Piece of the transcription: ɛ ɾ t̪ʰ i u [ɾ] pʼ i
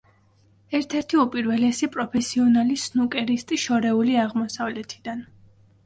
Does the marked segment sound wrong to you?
yes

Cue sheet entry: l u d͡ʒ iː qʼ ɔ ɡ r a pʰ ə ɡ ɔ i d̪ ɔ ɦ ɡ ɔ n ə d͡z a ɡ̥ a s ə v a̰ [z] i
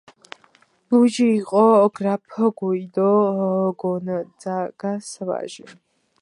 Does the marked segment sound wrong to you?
yes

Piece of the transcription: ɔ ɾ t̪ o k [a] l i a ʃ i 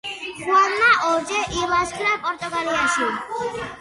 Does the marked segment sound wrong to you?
no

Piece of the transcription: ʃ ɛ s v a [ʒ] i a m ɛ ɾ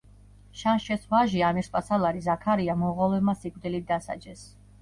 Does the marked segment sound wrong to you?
no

